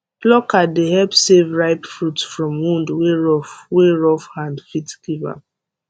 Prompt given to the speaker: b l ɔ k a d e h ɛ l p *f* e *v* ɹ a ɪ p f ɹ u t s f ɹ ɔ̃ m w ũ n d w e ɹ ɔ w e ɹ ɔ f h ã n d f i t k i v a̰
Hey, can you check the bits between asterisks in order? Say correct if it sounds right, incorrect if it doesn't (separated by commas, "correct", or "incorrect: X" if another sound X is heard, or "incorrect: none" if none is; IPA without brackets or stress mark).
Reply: incorrect: s, correct